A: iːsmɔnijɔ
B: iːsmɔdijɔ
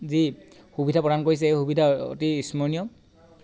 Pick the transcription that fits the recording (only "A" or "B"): A